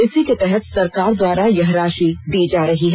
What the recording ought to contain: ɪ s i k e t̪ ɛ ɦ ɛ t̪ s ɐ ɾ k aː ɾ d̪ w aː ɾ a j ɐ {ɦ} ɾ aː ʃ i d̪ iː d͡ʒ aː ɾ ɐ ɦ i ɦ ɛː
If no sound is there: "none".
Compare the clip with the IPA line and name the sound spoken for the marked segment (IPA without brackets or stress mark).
ɦ